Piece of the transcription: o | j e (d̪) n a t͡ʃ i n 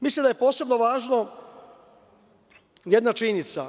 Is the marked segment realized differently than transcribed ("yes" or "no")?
no